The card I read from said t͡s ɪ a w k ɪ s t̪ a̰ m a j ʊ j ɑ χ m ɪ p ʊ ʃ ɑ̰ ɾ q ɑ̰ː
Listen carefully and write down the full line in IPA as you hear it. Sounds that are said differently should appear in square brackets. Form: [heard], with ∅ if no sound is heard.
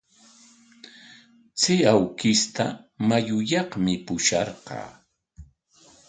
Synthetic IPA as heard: t͡s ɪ a w k ɪ s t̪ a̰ m a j ʊ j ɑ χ m ɪ p ʊ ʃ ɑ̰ ɾ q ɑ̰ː